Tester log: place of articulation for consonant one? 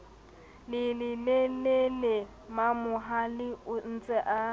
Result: alveolar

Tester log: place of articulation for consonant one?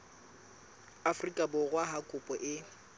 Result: labial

